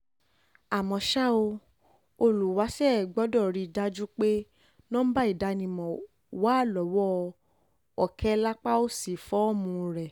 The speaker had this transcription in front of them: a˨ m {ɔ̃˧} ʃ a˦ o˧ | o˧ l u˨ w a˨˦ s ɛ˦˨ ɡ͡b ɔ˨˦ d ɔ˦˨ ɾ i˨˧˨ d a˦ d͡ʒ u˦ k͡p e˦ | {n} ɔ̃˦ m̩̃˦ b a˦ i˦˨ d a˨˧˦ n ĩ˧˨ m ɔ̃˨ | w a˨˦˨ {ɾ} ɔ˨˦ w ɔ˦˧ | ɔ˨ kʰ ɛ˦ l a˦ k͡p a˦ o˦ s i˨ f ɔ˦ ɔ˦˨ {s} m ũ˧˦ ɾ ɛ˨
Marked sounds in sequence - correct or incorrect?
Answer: correct, correct, incorrect: l, incorrect: none

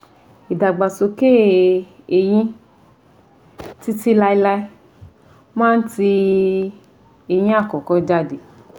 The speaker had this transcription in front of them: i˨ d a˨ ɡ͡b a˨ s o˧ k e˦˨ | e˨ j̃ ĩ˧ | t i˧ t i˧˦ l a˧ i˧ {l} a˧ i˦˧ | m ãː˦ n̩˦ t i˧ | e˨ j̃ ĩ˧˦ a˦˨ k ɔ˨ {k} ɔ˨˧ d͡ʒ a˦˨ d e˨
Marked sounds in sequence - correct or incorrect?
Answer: correct, correct

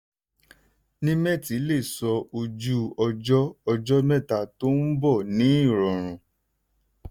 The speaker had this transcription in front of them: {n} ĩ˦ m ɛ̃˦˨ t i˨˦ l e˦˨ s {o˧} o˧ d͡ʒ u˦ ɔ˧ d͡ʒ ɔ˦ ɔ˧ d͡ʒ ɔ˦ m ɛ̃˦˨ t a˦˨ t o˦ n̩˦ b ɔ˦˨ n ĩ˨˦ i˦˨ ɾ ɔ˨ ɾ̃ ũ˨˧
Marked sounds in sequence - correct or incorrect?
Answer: correct, incorrect: ɔ˧

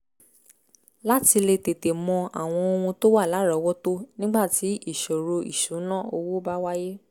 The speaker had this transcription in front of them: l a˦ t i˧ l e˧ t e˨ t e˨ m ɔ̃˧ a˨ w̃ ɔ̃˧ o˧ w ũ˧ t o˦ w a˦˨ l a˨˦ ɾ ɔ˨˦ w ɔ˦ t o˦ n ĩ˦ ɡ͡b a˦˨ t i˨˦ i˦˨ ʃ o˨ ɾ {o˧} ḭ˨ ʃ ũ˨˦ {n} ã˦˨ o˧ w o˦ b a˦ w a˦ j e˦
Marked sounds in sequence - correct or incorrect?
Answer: correct, correct

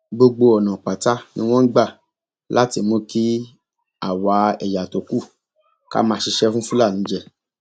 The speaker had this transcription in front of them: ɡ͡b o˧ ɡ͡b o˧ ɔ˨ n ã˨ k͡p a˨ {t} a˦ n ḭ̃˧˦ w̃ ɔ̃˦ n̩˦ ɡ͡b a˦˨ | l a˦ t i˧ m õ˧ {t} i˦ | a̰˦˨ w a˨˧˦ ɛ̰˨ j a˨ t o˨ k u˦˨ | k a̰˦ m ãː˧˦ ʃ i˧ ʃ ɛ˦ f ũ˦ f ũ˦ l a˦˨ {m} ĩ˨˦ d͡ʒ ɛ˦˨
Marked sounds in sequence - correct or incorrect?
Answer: correct, incorrect: k, incorrect: n

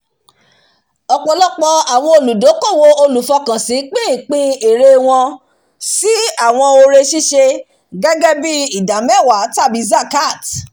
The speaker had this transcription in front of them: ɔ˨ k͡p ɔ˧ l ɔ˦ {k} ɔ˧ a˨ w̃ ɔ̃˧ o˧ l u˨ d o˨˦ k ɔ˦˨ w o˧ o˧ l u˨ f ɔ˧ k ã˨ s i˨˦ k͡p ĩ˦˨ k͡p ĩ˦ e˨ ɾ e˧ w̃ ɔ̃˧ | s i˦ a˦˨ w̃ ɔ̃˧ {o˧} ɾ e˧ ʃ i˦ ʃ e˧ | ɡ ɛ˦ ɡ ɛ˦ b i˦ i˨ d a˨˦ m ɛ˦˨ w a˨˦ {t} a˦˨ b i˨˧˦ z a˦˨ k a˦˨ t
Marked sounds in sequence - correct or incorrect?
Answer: incorrect: k͡p, correct, correct

